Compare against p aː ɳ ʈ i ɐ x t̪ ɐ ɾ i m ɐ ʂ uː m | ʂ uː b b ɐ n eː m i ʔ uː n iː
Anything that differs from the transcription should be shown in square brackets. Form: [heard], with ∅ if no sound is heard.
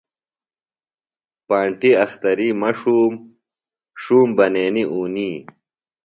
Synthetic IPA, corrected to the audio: p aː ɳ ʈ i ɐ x t̪ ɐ ɾ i m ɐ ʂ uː m | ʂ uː [m] b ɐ n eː [n] i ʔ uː n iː